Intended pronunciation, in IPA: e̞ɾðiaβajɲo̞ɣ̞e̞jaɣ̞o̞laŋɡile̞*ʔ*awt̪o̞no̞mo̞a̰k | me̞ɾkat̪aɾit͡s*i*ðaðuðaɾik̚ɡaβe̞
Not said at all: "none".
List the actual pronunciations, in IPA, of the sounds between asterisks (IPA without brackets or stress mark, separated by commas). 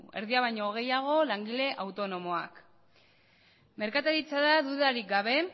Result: ʔ, a